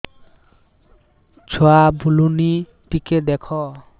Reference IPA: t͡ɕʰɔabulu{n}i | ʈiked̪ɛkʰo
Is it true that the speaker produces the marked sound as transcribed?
yes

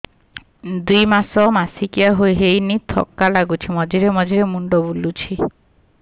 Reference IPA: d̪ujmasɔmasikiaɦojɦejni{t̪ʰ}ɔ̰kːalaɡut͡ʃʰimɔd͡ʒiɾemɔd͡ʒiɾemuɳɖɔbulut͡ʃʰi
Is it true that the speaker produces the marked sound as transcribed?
yes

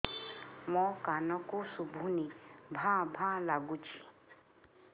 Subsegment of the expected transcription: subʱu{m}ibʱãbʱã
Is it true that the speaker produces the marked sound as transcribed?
no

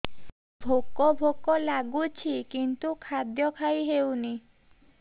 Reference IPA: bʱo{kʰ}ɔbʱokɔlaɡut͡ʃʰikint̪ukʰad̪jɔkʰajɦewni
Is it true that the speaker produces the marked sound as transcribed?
no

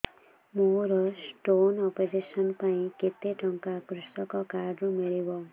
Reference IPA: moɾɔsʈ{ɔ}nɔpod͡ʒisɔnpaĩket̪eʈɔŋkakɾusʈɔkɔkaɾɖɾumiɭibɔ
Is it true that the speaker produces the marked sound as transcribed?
no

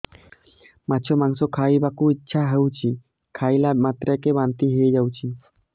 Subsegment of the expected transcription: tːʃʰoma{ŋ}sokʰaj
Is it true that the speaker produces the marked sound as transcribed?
yes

